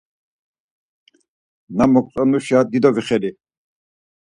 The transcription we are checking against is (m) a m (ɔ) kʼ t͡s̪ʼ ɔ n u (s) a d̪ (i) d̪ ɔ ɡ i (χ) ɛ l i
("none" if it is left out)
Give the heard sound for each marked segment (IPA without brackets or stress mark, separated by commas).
n, ɔ, ʃ, i, χ